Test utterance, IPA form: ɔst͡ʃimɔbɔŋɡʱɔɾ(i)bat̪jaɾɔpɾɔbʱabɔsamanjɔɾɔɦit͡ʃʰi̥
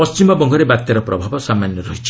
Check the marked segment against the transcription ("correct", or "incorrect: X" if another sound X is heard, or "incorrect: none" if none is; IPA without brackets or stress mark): incorrect: e